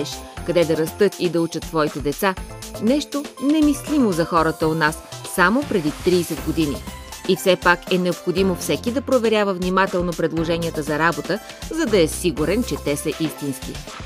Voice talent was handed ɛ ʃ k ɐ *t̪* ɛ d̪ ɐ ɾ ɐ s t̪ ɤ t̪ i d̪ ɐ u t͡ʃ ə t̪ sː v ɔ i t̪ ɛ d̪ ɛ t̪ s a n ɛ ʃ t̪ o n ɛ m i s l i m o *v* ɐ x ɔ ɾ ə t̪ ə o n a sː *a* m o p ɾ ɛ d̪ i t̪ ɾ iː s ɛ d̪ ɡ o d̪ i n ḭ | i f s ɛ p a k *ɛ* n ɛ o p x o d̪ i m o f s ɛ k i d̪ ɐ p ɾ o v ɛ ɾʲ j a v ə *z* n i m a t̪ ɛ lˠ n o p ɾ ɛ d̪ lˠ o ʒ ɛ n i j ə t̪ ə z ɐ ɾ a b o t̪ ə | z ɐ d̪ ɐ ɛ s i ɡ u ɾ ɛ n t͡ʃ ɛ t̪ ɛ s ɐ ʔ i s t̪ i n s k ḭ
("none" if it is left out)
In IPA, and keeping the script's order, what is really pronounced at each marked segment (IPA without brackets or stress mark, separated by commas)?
d̪, z, a, ɛ, v